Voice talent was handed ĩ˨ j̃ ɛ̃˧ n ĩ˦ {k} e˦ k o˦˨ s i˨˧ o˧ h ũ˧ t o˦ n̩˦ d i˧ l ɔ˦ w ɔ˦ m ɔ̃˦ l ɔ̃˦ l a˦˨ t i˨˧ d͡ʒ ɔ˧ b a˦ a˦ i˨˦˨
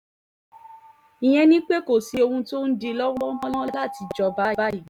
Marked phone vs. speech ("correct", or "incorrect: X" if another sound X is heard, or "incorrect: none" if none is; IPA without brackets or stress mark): incorrect: k͡p